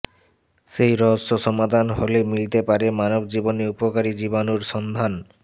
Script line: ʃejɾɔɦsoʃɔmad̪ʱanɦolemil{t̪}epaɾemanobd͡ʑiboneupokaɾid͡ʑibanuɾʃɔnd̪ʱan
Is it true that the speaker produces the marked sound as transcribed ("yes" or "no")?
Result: yes